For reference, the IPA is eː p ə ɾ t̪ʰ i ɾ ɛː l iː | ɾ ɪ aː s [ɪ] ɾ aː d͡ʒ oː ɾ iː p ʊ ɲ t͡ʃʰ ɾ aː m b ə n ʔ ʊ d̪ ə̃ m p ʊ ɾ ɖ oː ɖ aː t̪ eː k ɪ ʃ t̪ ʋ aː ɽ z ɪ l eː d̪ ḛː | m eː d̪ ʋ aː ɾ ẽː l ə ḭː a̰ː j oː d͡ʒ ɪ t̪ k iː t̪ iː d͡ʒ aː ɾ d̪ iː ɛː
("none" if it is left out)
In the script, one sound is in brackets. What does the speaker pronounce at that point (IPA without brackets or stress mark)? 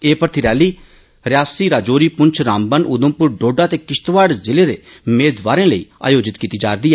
i